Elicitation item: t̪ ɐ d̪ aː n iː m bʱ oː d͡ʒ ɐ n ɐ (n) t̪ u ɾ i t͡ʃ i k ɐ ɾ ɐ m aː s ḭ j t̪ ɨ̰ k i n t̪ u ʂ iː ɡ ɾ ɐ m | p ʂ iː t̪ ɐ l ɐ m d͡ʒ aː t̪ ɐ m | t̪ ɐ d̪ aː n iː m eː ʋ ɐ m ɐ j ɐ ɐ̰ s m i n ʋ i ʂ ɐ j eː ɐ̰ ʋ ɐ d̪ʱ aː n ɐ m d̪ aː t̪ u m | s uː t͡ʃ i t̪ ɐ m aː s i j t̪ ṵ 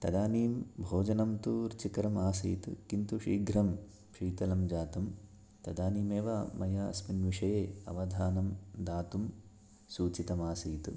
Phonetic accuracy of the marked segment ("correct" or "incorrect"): incorrect